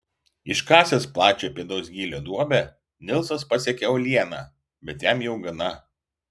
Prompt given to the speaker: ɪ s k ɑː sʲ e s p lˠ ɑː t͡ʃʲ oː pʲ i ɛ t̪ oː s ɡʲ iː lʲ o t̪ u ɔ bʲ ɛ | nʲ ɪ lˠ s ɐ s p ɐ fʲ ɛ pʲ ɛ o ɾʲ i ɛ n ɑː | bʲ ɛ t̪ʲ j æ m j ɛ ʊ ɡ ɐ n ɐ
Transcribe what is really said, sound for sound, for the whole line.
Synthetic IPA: ɪ ʃ k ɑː sʲ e s p lˠ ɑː t͡ʃʲ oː pʲ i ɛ d̪ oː s ɡʲ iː lʲ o d̪ u ɔ bʲ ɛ | nʲ ɪ lˠ s ɐ s p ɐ sʲ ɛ kʲ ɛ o lʲ i ɛ n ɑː | bʲ ɛ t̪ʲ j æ m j ɛ ʊ ɡ ɐ n ɐ